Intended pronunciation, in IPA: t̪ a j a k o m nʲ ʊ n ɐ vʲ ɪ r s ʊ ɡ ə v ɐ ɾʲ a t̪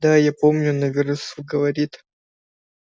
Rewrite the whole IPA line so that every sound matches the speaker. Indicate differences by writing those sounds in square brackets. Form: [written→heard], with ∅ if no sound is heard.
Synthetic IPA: [t̪→d̪] a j a [k→p] o m nʲ ʊ n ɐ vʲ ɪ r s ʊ ɡ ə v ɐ ɾʲ [a→i] t̪